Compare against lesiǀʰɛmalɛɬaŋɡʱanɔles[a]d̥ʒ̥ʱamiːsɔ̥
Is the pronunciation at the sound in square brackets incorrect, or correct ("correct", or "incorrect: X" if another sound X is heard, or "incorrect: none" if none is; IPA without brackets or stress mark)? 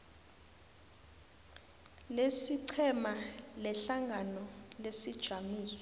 incorrect: i